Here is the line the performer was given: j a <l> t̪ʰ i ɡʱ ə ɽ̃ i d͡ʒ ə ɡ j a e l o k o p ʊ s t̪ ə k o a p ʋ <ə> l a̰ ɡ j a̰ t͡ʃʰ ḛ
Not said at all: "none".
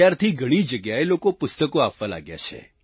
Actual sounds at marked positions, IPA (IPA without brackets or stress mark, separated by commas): ɾ, a